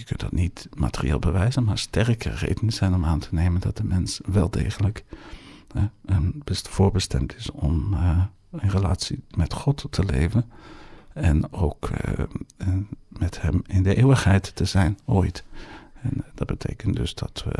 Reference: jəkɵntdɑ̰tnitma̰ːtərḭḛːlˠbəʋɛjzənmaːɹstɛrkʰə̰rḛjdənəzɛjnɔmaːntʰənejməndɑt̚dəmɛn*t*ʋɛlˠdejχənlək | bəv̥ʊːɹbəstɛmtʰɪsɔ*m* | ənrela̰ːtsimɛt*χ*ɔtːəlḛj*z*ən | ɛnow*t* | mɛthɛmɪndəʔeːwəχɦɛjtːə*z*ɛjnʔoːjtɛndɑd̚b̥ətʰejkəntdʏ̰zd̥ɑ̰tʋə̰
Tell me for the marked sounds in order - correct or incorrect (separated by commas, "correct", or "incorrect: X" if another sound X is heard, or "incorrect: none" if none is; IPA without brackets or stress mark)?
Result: incorrect: s, correct, correct, incorrect: v, incorrect: k, correct